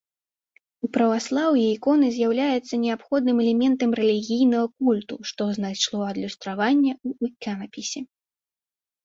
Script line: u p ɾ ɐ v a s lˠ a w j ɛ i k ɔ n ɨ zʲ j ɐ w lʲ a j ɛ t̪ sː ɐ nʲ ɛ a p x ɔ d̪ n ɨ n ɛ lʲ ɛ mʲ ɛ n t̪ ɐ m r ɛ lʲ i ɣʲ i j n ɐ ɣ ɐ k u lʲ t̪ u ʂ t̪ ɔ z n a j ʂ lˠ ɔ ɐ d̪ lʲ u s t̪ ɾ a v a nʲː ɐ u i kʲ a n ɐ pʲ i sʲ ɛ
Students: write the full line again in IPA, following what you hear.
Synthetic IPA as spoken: u p ɾ ɐ v a s lˠ a w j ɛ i k ɔ n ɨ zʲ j a w lʲ a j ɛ t̪ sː ɐ nʲ ɛ a p x ɔ d̪ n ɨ m ɛ lʲ ɛ mʲ ɛ n t̪ ɐ m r ɛ lʲ i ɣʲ i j n ɐ ɣ ɐ k u lʲ t̪ u ʂ t̪ ɔ z n a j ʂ lˠ ɔ ɐ d̪ lʲ u s t̪ ɾ a v a nʲː ɐ u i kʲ a n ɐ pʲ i sʲ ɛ